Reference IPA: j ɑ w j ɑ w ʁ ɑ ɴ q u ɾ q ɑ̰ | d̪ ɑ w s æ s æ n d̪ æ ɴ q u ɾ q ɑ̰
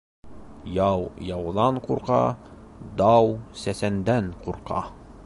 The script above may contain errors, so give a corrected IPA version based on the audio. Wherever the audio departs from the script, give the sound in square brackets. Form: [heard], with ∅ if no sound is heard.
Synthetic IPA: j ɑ w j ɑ w [ð] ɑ ɴ q u ɾ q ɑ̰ | d̪ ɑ w s æ s æ n d̪ æ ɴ q u ɾ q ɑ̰